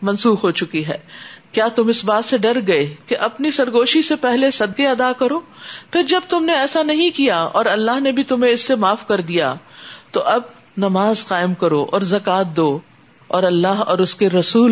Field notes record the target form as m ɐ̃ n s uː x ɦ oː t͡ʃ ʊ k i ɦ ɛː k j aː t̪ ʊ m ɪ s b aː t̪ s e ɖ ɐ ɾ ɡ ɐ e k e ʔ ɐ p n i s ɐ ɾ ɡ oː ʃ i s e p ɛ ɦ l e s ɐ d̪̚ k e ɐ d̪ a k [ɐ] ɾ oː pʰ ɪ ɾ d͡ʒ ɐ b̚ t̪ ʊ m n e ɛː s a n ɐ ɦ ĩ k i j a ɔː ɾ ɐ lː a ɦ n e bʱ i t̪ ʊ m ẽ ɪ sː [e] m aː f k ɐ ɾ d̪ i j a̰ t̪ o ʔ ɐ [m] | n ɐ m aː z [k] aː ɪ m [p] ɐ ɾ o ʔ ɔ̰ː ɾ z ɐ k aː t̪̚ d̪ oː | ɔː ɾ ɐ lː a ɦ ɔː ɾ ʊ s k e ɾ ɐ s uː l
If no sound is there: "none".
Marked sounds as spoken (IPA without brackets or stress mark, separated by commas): ɐ, e, b, q, k